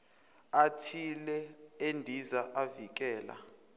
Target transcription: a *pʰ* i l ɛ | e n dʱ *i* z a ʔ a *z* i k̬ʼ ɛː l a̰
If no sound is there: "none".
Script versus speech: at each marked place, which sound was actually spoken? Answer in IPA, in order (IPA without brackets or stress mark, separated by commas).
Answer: tʰ, i, v